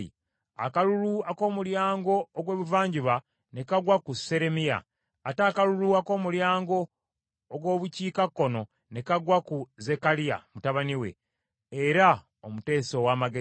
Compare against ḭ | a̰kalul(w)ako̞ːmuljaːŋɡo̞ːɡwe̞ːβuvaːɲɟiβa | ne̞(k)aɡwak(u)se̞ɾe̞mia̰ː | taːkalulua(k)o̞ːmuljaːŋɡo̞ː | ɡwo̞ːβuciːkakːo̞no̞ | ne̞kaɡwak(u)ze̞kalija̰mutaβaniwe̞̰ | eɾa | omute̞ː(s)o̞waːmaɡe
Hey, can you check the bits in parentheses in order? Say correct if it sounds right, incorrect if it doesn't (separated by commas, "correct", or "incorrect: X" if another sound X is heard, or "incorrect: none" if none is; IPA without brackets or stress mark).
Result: incorrect: u, correct, correct, correct, correct, correct